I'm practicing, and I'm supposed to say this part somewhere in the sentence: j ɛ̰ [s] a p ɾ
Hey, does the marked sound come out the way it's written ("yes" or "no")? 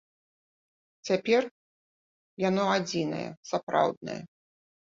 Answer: yes